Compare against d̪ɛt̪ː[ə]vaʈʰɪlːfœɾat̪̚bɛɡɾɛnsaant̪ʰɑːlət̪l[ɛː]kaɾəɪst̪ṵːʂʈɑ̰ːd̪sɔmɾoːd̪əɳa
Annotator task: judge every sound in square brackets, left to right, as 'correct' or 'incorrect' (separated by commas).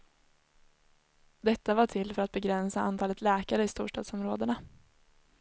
incorrect, correct